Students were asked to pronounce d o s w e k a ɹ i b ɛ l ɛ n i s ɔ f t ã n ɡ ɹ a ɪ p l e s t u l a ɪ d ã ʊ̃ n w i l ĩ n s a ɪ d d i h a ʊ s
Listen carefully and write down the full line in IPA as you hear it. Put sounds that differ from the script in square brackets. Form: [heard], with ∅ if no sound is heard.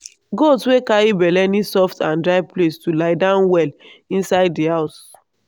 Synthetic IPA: [ɡ] o s w e k a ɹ i b ɛ l ɛ n i s ɔ f t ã n [d] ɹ a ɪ p l e s t u l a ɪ d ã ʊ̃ n w [ɛ] l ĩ n s a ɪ d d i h a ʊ s